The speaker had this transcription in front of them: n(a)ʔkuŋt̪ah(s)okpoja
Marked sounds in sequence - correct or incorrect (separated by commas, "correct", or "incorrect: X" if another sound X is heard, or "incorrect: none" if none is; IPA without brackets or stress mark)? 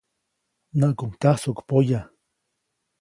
correct, correct